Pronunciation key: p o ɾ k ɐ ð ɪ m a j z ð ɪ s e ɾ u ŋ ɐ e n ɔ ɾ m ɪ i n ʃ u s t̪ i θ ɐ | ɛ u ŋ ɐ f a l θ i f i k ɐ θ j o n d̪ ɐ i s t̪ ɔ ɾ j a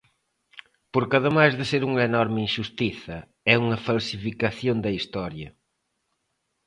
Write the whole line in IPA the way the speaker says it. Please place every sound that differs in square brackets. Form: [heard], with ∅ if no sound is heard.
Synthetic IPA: p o ɾ k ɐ ð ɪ m a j z ð ɪ s e ɾ u ŋ ɐ e n ɔ ɾ m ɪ i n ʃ u s t̪ i θ ɐ | ɛ u ŋ ɐ f a l [s] i f i k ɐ θ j o n d̪ ɐ i s t̪ ɔ ɾ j [ɐ]

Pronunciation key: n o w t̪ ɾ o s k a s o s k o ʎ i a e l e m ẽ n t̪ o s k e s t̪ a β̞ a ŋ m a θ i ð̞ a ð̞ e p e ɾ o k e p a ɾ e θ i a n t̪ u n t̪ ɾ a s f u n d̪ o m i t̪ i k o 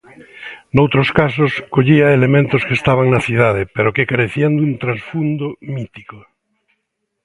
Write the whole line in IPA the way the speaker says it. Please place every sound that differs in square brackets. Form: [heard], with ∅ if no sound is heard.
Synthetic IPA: n o w t̪ ɾ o s k a s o s k o ʎ i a e l e m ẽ n t̪ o s k e s t̪ a β̞ a ŋ [n] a θ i ð̞ a ð̞ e p e ɾ o k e [k] a ɾ e θ i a n [d̪] u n t̪ ɾ a s f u n d̪ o m i t̪ i k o

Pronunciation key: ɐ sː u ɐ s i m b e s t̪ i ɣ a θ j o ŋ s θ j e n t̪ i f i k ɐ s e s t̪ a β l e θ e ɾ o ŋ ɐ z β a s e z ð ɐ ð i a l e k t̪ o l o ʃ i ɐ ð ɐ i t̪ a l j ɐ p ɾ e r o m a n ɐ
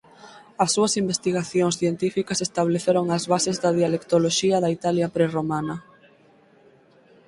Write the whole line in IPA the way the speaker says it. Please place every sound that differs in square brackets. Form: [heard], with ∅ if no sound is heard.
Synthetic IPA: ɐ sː u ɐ s i m b e s t̪ i ɣ a θ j o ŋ s θ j e n t̪ i f i k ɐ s e s t̪ a β l e θ e ɾ o ŋ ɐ z β a s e z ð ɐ ð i a l e k t̪ o l o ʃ i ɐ ð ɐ i t̪ a l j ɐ p ɾ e r o m a n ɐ

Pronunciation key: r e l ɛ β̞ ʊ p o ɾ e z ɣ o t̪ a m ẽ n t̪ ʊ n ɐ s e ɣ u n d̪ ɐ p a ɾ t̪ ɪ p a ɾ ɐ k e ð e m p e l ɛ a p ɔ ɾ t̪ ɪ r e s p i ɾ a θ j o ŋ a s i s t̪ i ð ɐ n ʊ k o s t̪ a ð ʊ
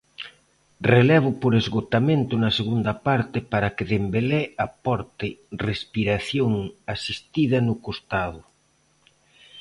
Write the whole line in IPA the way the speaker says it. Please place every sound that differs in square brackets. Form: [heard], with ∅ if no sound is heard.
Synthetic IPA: r e l ɛ β̞ ʊ p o ɾ e z ɣ o t̪ a m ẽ n t̪ ʊ n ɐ s e ɣ u n d̪ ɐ p a ɾ t̪ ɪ p a ɾ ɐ k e ð e m [b] e l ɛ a p ɔ ɾ t̪ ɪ r e s p i ɾ a θ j o ŋ a s i s t̪ i ð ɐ n ʊ k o s t̪ a ð ʊ

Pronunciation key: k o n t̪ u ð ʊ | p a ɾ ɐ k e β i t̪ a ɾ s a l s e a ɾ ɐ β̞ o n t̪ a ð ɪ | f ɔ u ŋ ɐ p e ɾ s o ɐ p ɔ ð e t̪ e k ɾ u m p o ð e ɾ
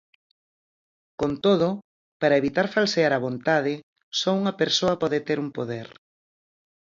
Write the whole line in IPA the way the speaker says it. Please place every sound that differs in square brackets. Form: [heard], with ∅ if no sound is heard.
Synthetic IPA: k o n t̪ [o] ð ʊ | p a ɾ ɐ [∅] e β i t̪ a ɾ [f] a l s e a ɾ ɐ β̞ o n t̪ a ð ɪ | [s] ɔ u ŋ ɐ p e ɾ s o ɐ p ɔ ð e t̪ e [∅] ɾ u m p o ð e ɾ

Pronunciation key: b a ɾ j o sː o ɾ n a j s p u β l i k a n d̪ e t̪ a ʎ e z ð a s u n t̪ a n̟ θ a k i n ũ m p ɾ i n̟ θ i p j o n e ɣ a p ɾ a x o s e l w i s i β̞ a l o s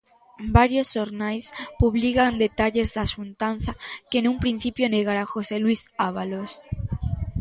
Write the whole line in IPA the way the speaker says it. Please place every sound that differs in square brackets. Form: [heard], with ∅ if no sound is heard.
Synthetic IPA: b a ɾ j o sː o ɾ n a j s p u β l i k a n d̪ e t̪ a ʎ e z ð a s u n t̪ a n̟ θ a k [e] n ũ m p ɾ i n̟ θ i p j o n e ɣ a [∅] ɾ a x o s e l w i s [a] β̞ a l o s

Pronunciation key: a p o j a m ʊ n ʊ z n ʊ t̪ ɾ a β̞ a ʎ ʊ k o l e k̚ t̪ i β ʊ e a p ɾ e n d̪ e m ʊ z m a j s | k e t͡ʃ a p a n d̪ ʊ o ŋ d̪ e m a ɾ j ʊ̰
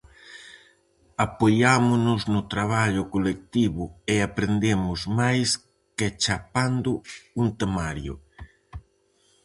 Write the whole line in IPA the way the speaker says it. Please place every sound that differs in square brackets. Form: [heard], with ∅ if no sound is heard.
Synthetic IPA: a p o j a m ʊ n ʊ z n ʊ t̪ ɾ a β̞ a ʎ ʊ k o l e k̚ t̪ i β ʊ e a p ɾ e n d̪ e m ʊ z m a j s | k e t͡ʃ a p a n d̪ ʊ [u] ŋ [t̪] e m a ɾ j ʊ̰

